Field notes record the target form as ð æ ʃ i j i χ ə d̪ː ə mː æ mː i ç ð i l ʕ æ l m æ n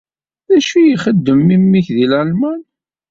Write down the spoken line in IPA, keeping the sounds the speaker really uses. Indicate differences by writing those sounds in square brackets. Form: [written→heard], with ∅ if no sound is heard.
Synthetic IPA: ð æ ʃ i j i χ ə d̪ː ə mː [æ→i] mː i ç ð i l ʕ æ l m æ n